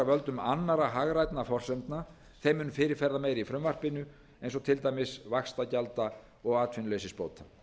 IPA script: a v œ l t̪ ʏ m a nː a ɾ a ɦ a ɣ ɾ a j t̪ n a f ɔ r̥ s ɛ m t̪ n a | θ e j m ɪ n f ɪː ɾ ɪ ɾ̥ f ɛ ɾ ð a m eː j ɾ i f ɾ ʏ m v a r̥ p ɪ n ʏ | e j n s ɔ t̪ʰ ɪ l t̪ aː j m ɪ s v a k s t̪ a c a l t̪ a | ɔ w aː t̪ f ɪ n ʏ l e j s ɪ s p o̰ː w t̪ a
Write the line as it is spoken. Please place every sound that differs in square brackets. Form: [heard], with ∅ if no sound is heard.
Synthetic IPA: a v œ l t̪ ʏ m a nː a ɾ a ɦ a ɣ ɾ a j t̪ n a f ɔ r̥ s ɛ m t̪ n a | θ e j m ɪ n f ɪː ɾ ɪ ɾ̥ f ɛ ɾ ð a m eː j ɾ i f ɾ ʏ m v a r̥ p ɪ n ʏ | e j n s ɔ t̪ʰ ɪ l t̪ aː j m ɪ s v a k s t̪ a c a l t̪ a | ɔ [ɣ] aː t̪ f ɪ n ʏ l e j s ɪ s p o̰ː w t̪ a

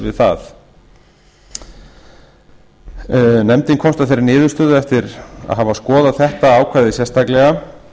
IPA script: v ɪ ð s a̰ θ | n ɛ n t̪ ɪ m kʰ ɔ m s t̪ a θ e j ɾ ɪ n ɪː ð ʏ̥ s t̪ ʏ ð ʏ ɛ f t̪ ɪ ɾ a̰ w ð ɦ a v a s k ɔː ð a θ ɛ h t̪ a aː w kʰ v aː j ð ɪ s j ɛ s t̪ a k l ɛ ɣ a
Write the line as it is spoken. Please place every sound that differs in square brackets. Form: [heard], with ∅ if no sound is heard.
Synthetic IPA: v ɪ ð [θ] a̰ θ | n ɛ [m] t̪ ɪ [n] kʰ ɔ m s t̪ a θ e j ɾ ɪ n ɪː ð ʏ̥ s t̪ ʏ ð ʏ ɛ f t̪ ɪ ɾ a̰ [∅] ð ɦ a v a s k ɔː ð a θ ɛ h t̪ a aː w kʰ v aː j ð ɪ s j ɛ s t̪ a k l ɛ ɣ a

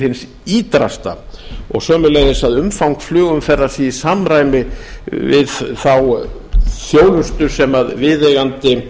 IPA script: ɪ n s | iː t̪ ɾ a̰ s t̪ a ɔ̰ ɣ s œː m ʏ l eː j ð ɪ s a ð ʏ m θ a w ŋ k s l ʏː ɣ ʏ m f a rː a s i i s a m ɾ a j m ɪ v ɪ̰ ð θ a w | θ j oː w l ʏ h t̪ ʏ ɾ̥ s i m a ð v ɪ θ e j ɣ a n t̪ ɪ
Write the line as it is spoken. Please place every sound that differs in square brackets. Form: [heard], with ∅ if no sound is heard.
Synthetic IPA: ɪ n s | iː t̪ ɾ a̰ s t̪ a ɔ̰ ɣ s œː m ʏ l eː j ð ɪ s a ð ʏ m [f] a w ŋ k [f] l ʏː ɣ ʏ m f [ɛ] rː a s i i s a m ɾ a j m ɪ v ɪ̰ ð θ a w | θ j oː w l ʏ [s] t̪ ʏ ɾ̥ s [ɛ] m a ð v ɪ [ð] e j ɣ a n t̪ ɪ

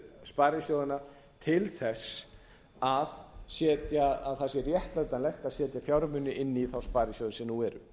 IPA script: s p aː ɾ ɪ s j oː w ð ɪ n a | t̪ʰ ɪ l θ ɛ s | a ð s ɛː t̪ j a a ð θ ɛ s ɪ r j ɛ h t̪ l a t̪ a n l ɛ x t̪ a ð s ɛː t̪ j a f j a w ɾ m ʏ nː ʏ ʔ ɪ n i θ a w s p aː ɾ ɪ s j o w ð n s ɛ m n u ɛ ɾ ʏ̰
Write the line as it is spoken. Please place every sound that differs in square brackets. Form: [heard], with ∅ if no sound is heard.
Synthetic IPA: s p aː ɾ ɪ s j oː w ð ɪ n a | t̪ʰ ɪ l θ ɛ s | a ð s ɛː t̪ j a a ð θ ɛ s ɪ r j ɛ h t̪ l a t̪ a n l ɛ x t̪ a ð s ɛː t̪ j a f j a w ɾ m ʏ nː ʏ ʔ ɪ [nː] i θ a w s p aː ɾ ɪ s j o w ð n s ɛ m n u ɛ ɾ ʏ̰

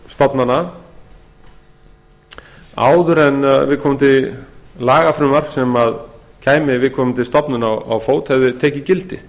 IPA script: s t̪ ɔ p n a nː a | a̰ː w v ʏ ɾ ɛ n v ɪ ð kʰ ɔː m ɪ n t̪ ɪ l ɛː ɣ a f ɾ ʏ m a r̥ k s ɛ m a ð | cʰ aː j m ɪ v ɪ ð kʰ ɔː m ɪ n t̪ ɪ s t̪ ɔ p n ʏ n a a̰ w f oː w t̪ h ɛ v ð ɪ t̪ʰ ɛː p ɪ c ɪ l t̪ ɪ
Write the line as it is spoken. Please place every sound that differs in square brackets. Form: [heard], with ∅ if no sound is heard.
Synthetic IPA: s t̪ ɔ p n a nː a | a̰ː w [ð] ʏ ɾ ɛ n v ɪ ð kʰ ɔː m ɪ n t̪ ɪ l [aː] ɣ a f ɾ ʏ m a r̥ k s ɛ m a ð | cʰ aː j m ɪ v ɪ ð kʰ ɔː m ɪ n t̪ ɪ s t̪ ɔ p n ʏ n a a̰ w f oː w t̪ h ɛ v ð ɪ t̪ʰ ɛː [c] ɪ c ɪ l t̪ ɪ

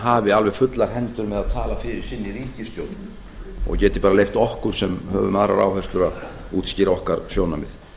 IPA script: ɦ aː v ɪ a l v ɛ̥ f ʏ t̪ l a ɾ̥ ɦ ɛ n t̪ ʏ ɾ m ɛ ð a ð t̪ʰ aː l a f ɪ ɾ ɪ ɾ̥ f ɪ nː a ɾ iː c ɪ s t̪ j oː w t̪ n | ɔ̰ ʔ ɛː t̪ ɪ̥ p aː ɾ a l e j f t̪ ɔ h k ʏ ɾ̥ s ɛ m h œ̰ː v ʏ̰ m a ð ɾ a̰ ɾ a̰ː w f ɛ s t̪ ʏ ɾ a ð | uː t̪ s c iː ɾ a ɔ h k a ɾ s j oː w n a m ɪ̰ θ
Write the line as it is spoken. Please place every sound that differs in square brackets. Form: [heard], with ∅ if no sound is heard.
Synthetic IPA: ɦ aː v ɪ a l v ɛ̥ f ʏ t̪ l a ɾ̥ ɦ ɛ n t̪ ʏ ɾ m ɛ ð a ð t̪ʰ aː l a f ɪ ɾ ɪ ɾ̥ [s] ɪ nː [i] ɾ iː c ɪ s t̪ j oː w t̪ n | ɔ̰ [c] ɛː t̪ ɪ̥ p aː ɾ a l e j f t̪ ɔ h k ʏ ɾ̥ s ɛ m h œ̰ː v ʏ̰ m a ð ɾ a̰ ɾ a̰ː w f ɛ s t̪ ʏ ɾ a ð | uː t̪ s c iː ɾ a ɔ h k a ɾ s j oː w n a m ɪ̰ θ

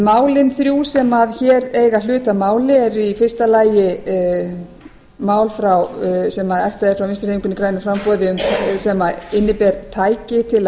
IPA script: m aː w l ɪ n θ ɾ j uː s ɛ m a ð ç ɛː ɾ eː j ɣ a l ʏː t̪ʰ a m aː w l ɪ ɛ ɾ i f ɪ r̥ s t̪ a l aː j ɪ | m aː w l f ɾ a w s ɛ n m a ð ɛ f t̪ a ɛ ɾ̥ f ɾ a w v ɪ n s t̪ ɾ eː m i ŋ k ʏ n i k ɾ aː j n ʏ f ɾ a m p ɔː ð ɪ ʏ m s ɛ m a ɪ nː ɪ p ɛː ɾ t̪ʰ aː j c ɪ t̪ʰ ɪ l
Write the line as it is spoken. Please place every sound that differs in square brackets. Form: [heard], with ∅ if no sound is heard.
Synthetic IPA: m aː w l ɪ n θ ɾ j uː s ɛ m a ð ç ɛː ɾ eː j ɣ a l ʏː [t̪] a m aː w l ɪ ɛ ɾ i f ɪ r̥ s t̪ a l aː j ɪ | m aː w l f ɾ a w s ɛ [∅] m a ð ɛ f t̪ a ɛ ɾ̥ f ɾ a w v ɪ n s t̪ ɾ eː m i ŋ k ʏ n i k ɾ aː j n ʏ f ɾ a m p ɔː ð ɪ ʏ m s ɛ m a ɪ nː ɪ p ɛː ɾ t̪ʰ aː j c ɪ t̪ʰ ɪ l

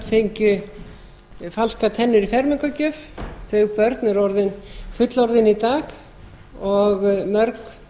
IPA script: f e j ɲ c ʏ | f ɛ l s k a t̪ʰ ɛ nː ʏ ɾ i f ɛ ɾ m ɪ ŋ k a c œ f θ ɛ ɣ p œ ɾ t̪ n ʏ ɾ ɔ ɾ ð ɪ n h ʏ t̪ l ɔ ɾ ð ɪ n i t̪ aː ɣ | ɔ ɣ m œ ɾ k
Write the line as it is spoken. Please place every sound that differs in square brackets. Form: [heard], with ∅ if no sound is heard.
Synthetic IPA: f e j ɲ c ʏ | f [a] l s k a t̪ʰ ɛ nː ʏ ɾ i f ɛ ɾ m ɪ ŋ k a c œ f θ [œ] ɣ p œ ɾ t̪ n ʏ ɾ ɔ ɾ ð ɪ n [f] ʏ t̪ l ɔ ɾ ð ɪ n i t̪ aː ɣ | ɔ ɣ m œ ɾ k

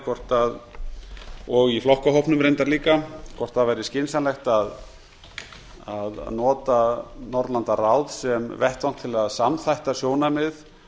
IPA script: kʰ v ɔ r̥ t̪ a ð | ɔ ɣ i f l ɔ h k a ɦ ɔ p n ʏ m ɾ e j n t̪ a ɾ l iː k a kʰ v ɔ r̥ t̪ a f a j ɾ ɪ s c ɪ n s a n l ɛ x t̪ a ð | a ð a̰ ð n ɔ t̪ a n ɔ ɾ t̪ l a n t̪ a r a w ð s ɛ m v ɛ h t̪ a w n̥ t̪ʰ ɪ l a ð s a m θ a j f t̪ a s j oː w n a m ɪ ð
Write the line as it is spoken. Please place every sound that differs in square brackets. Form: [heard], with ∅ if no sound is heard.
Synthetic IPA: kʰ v ɔ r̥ t̪ a ð | ɔ ɣ i f l ɔ h k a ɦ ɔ p n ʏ m ɾ e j n t̪ a ɾ l iː k a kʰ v ɔ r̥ t̪ a [v] a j ɾ ɪ s c ɪ n s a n l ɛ x t̪ a ð | a ð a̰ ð n [ɔː] t̪ a n ɔ ɾ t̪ l a n t̪ a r a w ð s ɛ m v ɛ h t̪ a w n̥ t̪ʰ ɪ l a ð s a m θ a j [h] t̪ a s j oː w n a m ɪ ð

